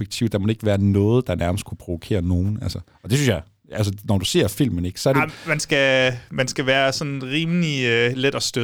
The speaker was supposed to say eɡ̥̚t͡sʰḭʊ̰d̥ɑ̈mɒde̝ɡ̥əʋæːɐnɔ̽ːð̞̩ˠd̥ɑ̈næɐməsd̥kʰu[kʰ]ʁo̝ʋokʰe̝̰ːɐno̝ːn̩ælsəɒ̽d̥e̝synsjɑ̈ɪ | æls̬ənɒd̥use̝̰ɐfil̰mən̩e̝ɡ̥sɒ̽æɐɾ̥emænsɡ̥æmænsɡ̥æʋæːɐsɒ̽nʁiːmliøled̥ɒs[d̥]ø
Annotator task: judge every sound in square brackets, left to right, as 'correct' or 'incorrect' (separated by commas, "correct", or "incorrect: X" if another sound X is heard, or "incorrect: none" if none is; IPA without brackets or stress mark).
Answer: incorrect: pʰ, correct